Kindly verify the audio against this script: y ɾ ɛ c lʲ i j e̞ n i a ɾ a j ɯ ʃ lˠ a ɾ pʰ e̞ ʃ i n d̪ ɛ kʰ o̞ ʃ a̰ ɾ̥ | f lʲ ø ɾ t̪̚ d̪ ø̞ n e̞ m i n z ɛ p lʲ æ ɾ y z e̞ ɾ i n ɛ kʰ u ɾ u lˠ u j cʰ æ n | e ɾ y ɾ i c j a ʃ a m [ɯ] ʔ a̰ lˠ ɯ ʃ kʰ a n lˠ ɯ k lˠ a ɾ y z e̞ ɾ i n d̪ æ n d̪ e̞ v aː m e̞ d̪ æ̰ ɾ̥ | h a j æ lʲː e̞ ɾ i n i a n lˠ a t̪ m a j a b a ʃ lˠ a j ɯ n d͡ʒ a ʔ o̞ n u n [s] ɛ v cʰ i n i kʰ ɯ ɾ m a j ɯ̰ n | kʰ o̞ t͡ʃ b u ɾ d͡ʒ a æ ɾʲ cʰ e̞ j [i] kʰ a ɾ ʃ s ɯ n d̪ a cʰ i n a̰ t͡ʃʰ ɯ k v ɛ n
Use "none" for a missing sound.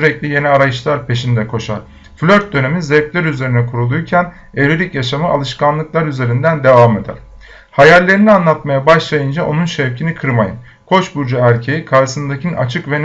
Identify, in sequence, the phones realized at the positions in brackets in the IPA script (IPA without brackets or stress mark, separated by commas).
ɯ, ʃ, i